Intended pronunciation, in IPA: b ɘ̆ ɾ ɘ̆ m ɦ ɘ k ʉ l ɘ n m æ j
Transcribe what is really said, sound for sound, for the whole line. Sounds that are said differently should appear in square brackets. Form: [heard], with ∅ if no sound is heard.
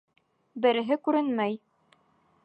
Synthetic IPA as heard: b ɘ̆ ɾ ɘ̆ [∅] ɦ ɘ k ʉ [ɾ] ɘ n m æ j